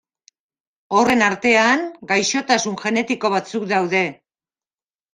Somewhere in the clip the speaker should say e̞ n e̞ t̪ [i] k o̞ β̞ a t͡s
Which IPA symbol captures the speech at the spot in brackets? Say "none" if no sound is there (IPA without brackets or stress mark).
i